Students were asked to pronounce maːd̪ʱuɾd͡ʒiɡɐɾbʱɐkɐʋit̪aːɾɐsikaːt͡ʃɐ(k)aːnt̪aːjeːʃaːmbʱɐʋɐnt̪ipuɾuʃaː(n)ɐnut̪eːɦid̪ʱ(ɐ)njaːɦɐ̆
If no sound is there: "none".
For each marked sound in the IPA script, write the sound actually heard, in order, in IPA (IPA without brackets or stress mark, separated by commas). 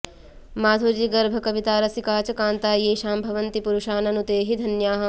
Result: k, n, ɐ